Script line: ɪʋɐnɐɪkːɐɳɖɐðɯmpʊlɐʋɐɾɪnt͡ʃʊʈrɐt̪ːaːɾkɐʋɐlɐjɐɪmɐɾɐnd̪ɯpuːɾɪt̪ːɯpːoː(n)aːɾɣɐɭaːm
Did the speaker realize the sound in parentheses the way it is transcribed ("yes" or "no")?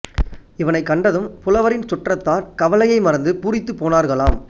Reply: yes